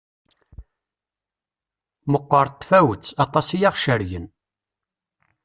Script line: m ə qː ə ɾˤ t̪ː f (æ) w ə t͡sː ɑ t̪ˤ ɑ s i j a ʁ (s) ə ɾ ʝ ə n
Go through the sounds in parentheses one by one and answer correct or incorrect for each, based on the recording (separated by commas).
correct, incorrect